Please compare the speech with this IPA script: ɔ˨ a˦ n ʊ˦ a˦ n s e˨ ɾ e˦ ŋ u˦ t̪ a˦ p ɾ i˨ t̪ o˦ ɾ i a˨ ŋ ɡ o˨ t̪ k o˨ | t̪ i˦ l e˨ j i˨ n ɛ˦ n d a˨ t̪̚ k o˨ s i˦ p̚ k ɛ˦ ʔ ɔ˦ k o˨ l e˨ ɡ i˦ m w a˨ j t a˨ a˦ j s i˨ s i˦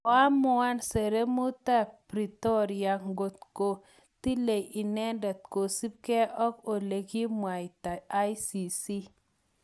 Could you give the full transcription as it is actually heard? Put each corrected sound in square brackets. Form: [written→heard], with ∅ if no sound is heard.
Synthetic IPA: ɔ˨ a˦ [n→m] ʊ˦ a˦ n s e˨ ɾ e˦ [ŋ→m] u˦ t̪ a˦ p ɾ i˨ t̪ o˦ ɾ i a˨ ŋ ɡ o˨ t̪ k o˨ | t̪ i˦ l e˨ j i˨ n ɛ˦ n d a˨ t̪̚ k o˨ s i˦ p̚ k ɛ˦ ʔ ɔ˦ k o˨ l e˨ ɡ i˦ m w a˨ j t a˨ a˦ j s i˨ s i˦